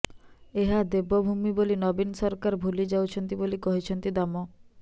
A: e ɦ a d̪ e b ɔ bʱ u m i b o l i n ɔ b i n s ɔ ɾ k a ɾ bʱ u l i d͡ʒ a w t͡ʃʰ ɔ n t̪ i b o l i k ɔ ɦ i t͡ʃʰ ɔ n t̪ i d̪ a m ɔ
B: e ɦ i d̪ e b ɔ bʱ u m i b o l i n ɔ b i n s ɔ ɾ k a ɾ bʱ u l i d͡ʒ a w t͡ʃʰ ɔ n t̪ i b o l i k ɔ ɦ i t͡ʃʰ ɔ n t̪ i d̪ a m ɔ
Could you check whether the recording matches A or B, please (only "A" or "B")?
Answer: A